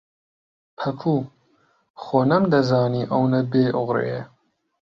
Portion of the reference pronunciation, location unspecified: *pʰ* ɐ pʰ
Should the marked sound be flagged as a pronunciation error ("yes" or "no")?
no